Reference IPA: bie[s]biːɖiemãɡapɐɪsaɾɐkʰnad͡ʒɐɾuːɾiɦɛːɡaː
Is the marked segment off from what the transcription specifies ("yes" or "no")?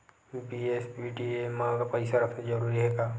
no